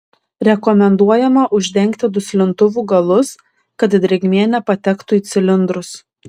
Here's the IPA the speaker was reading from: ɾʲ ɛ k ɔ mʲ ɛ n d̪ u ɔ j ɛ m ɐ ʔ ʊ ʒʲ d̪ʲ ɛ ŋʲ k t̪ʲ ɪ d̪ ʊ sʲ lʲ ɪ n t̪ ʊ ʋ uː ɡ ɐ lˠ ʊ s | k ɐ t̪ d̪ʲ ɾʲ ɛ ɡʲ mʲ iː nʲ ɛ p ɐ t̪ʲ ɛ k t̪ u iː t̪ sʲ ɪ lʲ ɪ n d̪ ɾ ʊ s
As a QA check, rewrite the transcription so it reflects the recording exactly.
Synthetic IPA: ɾʲ ɛ k ɔ mʲ ɛ n d̪ u ɔ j ɛ m ɐ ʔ ʊ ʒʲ d̪ʲ ɛ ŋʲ k t̪ʲ ɪ d̪ ʊ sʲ lʲ ɪ n t̪ ʊ ʋ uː ɡ ɐ lˠ ʊ s | k ɐ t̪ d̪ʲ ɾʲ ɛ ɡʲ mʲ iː nʲ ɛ p ɐ t̪ʲ ɛ k t̪ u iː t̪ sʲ ɪ lʲ ɪ n d̪ ɾ ʊ s